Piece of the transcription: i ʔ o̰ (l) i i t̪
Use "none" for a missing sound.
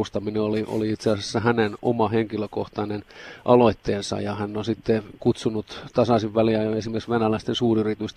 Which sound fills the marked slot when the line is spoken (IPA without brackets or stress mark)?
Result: l